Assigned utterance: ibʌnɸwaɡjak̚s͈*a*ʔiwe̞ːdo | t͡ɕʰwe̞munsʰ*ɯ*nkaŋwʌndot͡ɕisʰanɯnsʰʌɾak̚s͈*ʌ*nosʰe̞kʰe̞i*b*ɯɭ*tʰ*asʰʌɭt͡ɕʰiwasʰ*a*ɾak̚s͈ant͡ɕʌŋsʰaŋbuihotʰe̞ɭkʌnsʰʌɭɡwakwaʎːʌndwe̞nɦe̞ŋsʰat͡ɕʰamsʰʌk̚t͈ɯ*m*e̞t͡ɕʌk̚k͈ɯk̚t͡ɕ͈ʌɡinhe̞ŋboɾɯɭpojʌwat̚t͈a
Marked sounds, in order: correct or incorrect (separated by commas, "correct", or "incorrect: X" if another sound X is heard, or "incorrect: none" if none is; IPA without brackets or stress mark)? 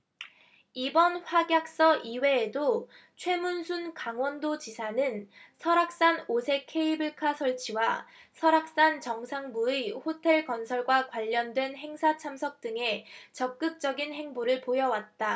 incorrect: ʌ, incorrect: u, incorrect: a, correct, incorrect: kʰ, incorrect: ʌ, incorrect: ŋ